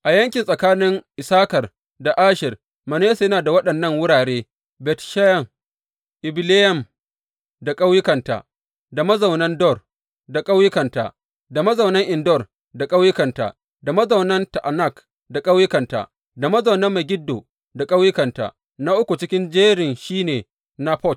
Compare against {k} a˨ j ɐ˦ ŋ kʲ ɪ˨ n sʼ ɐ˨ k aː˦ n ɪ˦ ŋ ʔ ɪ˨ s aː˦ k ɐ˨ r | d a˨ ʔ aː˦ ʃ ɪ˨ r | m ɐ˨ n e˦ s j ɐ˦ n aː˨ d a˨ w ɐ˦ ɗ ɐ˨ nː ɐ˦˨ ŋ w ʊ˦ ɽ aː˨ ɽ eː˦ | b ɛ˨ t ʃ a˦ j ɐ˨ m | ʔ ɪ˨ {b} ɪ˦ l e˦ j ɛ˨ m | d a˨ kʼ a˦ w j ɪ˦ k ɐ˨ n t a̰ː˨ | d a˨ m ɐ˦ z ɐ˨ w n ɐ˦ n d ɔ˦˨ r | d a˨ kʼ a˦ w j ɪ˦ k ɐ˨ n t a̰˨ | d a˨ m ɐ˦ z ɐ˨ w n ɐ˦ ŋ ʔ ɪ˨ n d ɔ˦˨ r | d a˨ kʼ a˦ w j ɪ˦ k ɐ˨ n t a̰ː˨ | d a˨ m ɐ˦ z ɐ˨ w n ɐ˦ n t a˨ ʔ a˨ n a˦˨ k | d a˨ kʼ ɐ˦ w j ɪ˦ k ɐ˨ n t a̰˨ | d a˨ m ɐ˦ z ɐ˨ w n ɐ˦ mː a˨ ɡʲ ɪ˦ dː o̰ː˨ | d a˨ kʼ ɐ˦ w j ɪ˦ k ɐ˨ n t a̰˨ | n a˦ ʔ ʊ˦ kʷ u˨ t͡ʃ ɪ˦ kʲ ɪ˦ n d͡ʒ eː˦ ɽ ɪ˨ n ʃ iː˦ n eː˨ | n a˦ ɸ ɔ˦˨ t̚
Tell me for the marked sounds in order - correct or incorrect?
incorrect: ʔ, correct

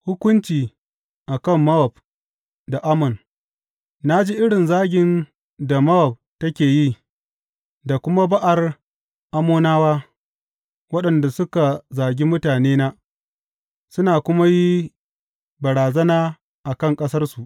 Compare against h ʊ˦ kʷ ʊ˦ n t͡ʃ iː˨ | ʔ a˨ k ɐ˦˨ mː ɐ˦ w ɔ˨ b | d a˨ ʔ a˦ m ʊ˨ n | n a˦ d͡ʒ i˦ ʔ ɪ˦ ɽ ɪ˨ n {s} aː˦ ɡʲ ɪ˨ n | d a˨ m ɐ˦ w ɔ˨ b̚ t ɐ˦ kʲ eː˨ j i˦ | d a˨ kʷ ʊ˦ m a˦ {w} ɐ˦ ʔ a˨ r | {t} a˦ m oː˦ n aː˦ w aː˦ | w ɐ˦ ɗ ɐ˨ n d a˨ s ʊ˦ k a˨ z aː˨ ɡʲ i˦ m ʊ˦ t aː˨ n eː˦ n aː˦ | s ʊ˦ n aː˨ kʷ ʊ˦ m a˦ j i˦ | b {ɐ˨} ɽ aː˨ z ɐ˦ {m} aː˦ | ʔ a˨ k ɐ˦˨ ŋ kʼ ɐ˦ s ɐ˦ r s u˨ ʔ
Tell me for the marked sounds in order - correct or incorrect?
incorrect: z, incorrect: b, incorrect: ʔ, correct, incorrect: n

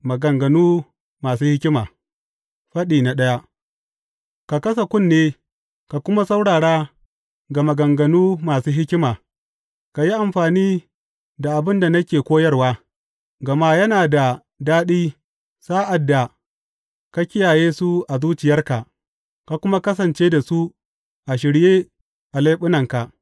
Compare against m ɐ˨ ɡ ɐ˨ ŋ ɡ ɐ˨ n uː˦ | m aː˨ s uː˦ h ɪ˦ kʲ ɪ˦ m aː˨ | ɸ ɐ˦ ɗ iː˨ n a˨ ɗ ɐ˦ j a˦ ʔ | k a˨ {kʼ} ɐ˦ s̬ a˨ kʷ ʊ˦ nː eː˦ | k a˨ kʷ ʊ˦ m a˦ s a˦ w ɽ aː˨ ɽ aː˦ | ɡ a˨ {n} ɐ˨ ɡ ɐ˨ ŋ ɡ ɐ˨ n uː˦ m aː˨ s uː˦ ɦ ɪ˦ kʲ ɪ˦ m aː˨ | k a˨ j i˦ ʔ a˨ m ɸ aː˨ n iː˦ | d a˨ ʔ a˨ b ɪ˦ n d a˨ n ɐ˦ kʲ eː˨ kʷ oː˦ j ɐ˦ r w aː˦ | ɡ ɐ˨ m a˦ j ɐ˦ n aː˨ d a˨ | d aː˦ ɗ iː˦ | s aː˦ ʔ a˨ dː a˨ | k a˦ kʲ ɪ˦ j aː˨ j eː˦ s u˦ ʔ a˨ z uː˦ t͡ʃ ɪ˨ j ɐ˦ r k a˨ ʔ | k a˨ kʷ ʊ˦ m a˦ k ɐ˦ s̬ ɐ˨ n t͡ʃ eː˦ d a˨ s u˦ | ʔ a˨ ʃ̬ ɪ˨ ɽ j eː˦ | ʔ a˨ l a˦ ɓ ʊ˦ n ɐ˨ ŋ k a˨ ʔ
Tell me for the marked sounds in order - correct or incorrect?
incorrect: k, incorrect: m

